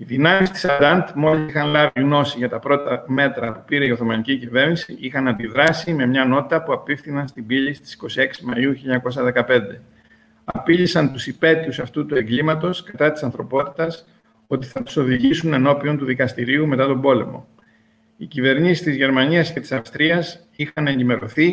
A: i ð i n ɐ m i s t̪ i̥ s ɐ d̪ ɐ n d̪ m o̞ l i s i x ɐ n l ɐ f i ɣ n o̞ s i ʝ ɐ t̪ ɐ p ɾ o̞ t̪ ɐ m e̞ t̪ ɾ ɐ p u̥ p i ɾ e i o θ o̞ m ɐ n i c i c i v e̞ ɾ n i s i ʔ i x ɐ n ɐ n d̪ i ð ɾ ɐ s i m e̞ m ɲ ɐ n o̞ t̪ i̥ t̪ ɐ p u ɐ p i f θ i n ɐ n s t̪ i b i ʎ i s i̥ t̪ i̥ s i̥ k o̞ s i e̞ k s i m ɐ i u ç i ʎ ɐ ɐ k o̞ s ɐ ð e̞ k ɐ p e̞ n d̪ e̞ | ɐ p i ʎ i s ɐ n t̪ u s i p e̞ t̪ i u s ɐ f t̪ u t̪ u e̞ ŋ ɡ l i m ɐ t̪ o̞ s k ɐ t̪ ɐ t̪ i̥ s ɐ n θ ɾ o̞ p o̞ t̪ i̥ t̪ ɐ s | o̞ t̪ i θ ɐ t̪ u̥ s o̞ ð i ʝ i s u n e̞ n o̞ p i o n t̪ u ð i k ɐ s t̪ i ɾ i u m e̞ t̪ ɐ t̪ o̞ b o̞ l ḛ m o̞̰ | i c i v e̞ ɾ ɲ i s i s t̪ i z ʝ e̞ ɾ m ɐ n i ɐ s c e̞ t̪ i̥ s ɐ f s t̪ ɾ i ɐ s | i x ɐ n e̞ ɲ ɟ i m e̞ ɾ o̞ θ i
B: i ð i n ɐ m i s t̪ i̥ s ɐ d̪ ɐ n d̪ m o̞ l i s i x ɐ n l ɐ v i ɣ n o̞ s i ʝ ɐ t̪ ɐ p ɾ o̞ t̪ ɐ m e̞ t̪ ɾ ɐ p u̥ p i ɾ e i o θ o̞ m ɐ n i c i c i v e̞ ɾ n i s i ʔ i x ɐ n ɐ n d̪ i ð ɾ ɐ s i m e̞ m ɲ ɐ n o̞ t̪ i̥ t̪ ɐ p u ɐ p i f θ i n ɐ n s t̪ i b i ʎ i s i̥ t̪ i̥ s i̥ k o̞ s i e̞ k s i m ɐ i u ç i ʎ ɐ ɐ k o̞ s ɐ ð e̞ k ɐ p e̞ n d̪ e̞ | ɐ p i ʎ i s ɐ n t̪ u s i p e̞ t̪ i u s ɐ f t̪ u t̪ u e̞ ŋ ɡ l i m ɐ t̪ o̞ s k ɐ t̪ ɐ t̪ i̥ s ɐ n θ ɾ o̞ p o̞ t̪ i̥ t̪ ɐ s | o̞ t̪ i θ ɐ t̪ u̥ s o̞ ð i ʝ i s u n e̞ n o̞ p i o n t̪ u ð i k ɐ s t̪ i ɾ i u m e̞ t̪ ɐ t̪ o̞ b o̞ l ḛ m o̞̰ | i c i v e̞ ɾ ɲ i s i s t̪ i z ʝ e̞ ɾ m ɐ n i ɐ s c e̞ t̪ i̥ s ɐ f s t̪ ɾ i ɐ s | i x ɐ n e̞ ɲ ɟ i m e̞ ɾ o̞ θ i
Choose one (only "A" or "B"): B